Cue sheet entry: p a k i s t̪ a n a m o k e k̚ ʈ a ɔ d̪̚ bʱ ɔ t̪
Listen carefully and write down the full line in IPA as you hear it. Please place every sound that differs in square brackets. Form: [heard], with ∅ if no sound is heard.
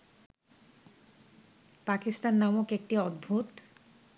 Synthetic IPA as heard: p a k i s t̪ a [nː] a m o k e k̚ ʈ [i] ɔ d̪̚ bʱ [u] t̪